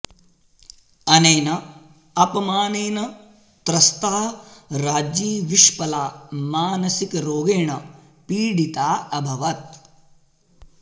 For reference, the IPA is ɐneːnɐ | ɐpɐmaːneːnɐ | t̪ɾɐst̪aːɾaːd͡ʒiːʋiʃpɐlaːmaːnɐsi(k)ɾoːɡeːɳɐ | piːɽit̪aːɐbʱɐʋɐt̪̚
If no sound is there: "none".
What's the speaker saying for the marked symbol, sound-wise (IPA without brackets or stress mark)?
k